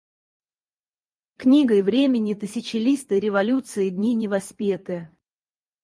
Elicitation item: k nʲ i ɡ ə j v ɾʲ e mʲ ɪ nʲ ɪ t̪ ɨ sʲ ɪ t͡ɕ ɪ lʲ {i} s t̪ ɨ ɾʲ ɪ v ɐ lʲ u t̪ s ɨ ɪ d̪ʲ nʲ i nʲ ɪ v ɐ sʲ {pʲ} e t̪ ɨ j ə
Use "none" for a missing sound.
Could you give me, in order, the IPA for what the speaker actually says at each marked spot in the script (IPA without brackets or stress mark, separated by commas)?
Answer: i, pʲ